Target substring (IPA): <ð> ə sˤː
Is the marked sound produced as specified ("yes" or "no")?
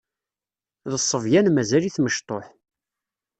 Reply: yes